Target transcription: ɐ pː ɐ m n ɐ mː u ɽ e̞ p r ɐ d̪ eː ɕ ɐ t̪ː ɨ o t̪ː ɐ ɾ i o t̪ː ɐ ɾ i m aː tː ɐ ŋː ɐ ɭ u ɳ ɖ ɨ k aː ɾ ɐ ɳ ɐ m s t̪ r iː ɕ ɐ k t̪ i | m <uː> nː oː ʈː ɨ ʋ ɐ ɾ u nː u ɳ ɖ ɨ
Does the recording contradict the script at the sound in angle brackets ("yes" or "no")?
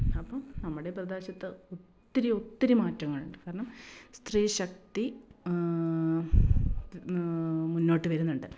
yes